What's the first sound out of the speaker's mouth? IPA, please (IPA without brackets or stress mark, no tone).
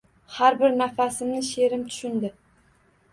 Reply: h